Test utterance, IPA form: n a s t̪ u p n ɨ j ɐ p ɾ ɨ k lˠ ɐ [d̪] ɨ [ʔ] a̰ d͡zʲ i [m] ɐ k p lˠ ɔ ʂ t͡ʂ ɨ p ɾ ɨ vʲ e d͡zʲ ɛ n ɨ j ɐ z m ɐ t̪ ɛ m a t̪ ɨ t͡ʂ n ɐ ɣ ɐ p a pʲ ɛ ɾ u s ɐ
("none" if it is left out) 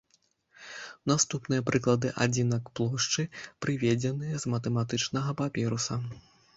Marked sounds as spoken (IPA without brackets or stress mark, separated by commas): d̪, ʔ, n